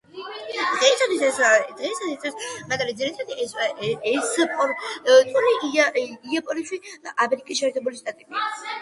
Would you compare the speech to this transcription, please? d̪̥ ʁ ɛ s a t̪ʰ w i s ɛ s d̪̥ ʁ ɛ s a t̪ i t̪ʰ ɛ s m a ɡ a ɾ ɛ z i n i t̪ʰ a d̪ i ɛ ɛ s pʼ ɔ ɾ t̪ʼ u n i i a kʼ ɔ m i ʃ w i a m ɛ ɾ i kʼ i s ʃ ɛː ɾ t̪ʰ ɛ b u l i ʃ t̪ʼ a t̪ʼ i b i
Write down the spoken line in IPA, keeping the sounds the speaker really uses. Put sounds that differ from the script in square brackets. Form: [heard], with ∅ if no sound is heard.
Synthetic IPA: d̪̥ ʁ ɛ s a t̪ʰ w i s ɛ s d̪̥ ʁ ɛ s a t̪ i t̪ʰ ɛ s m a ɡ a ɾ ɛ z i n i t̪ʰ a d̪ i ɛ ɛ s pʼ ɔ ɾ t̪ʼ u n i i a [pʼ] ɔ [n] i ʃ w i a m ɛ ɾ i kʼ i s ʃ ɛː ɾ t̪ʰ ɛ b u l i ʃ t̪ʼ a t̪ʼ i b i